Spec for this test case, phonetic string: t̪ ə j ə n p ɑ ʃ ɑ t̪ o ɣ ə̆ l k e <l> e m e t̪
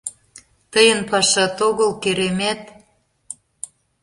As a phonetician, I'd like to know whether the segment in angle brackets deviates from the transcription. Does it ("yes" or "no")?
yes